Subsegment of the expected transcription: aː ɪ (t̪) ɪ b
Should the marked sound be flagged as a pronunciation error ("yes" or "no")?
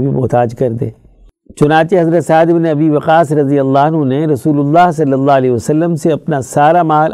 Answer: yes